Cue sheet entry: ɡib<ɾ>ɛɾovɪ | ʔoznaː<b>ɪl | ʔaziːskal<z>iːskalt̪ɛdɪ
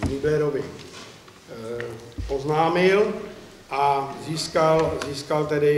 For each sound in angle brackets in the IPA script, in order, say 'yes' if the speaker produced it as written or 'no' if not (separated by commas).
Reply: no, no, yes